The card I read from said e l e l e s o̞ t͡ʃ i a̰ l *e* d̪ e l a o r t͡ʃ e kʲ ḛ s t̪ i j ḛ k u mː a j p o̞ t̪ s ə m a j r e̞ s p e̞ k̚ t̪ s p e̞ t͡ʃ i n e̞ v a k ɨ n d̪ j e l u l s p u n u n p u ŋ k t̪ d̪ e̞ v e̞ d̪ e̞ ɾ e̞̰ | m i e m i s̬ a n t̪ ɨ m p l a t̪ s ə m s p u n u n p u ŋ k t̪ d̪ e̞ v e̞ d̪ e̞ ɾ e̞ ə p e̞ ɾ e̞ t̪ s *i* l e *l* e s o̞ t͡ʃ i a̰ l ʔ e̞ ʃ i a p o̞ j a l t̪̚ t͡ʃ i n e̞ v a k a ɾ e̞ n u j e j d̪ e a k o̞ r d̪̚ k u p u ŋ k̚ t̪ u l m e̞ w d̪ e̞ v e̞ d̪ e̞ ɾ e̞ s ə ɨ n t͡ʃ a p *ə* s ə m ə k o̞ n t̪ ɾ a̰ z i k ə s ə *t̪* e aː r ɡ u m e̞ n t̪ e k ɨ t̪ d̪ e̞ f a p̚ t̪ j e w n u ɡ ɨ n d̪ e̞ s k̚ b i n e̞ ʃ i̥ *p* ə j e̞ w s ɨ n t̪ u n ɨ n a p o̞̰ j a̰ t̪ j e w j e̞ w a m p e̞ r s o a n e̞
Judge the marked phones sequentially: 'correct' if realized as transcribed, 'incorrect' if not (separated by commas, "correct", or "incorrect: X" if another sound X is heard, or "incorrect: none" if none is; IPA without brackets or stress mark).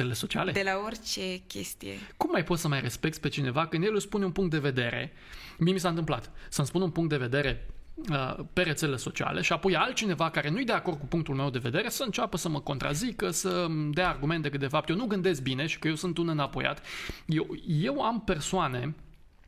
correct, incorrect: e, correct, correct, incorrect: d̪, incorrect: k